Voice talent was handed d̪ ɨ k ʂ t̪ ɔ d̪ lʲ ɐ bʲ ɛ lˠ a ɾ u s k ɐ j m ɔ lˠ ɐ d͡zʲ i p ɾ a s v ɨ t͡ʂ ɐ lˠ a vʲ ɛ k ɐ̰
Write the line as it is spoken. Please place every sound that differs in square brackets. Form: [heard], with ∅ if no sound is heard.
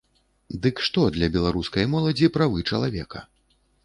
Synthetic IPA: d̪ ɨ k ʂ t̪ ɔ d̪ lʲ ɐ bʲ ɛ lˠ a ɾ u s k ɐ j m ɔ lˠ ɐ d͡zʲ i p ɾ a [∅] v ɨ t͡ʂ ɐ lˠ a vʲ ɛ k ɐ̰